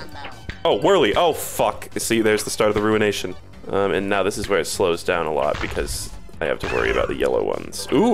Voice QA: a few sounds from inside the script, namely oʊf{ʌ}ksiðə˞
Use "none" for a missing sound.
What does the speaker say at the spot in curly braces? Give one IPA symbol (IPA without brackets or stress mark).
ʌ